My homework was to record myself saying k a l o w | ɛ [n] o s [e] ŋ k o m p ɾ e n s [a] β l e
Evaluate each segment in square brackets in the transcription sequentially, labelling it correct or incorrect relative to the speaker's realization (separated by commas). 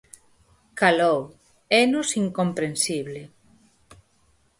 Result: correct, incorrect, incorrect